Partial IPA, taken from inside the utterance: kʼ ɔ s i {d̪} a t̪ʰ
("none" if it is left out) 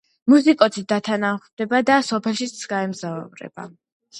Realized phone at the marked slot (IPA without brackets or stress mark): d̪